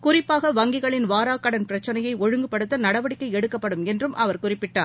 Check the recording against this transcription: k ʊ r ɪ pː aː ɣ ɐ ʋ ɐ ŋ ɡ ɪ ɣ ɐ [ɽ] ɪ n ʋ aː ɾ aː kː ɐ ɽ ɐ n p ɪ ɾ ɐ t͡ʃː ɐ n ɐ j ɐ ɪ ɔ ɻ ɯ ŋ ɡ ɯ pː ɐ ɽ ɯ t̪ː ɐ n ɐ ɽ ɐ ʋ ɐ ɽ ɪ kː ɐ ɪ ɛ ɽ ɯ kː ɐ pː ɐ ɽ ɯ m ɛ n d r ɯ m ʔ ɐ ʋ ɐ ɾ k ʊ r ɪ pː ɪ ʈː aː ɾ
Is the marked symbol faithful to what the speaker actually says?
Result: no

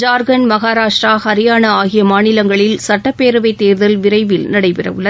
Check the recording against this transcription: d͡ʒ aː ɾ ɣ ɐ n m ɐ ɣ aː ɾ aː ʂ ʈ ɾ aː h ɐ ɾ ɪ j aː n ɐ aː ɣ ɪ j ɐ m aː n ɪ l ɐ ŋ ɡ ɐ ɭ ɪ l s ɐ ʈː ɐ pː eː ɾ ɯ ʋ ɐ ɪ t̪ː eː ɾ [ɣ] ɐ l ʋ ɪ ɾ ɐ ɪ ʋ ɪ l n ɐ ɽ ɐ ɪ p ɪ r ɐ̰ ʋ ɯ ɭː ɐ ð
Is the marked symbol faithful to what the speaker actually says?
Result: no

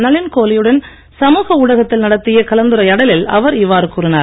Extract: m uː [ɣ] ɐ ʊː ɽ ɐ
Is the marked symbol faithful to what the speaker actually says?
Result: yes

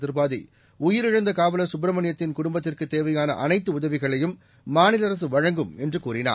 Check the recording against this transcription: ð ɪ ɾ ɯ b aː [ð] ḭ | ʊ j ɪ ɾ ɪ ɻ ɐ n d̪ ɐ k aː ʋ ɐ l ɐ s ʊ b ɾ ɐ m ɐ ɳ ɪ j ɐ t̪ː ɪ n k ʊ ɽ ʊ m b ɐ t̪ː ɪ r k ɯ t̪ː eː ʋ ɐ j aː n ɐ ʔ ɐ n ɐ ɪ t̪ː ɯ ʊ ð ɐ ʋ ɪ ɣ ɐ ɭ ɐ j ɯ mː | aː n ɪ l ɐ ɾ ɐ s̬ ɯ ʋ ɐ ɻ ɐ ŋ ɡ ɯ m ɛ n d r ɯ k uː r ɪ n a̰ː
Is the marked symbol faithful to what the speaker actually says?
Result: yes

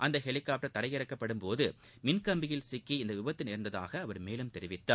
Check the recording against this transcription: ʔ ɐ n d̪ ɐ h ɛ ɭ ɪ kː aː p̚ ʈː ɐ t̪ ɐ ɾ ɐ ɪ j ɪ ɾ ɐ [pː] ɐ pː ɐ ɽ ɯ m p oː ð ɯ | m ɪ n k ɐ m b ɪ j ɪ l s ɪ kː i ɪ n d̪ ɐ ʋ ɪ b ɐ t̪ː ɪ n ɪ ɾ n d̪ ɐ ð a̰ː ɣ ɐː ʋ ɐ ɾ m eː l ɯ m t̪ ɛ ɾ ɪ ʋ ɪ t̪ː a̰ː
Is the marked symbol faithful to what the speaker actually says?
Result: no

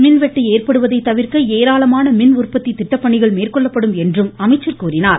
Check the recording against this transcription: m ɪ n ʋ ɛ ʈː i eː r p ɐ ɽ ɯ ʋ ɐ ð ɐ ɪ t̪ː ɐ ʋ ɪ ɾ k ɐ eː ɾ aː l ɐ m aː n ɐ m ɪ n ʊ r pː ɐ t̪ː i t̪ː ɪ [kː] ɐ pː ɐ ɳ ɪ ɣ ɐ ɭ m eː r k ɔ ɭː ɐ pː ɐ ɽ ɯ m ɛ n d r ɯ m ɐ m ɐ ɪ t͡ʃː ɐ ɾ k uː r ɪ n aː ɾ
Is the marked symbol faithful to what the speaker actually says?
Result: no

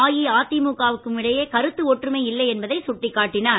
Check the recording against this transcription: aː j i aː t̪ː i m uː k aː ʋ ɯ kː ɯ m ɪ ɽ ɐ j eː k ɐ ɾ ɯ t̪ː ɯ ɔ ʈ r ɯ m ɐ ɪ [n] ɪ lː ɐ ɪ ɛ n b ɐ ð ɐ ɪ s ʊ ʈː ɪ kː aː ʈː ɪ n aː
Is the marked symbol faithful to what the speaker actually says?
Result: no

